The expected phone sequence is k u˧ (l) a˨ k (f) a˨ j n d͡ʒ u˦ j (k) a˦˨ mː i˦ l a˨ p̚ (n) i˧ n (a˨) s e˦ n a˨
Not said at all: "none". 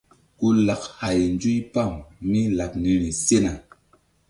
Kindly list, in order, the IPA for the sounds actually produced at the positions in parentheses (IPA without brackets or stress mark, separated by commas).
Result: l, h, p, n, i˨